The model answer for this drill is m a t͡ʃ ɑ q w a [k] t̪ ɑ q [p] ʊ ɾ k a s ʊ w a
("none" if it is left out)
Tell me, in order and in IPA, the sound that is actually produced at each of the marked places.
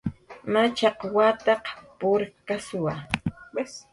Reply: none, p

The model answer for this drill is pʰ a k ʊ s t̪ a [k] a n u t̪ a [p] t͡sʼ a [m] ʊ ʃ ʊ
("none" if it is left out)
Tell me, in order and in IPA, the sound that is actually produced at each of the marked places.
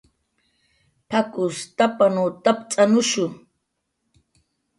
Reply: p, p, n

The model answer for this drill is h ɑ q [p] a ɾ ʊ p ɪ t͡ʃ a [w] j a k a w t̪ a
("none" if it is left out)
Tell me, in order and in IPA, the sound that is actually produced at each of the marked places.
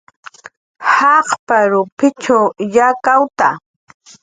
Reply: p, w

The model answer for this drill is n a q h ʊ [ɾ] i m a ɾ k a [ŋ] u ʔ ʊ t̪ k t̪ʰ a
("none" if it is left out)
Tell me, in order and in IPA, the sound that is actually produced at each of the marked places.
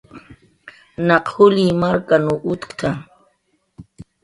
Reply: l, n

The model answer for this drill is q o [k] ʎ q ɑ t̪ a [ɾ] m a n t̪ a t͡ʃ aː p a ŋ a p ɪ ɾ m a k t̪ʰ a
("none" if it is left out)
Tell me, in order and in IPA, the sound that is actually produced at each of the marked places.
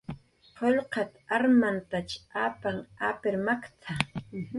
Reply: none, ɾ

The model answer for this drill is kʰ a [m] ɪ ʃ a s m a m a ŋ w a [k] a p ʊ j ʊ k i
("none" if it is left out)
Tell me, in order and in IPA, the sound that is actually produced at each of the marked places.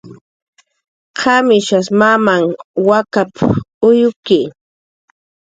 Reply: m, k

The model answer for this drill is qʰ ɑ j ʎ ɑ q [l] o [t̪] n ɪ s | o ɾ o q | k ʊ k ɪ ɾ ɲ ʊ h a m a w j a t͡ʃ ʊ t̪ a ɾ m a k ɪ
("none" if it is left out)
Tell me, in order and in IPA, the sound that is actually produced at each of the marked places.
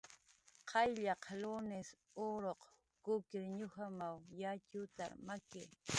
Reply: l, none

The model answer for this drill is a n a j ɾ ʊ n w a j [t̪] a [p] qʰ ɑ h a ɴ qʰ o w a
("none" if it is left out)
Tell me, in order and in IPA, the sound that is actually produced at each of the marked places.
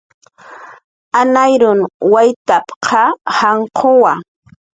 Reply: t̪, p

